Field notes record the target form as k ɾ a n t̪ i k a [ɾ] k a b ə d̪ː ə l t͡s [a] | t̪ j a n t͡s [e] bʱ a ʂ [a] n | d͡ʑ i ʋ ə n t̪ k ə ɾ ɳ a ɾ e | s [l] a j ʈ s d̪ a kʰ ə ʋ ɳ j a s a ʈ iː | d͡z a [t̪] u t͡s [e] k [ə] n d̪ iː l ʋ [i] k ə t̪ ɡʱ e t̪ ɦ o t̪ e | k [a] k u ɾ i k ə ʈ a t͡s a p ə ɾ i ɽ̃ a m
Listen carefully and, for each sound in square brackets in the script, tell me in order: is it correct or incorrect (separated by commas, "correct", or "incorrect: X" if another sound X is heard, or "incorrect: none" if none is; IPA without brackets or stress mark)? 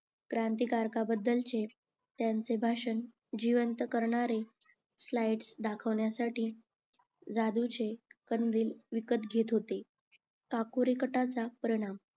correct, incorrect: e, correct, incorrect: ə, correct, incorrect: d̪, correct, correct, correct, correct